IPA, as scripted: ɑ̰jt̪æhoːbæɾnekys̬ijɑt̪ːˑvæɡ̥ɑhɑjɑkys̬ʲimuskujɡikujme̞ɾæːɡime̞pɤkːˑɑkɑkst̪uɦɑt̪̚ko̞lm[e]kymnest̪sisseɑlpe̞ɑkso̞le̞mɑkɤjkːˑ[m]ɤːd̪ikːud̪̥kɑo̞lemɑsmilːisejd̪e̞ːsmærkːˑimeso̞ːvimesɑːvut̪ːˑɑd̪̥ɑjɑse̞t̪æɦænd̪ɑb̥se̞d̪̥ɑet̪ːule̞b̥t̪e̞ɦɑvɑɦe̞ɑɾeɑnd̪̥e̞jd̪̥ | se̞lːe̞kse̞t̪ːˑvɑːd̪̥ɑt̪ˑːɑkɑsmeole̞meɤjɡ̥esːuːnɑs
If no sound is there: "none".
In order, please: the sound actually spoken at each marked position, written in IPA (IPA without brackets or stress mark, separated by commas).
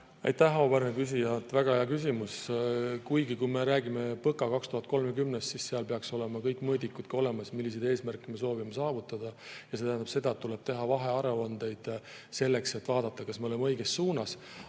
e, m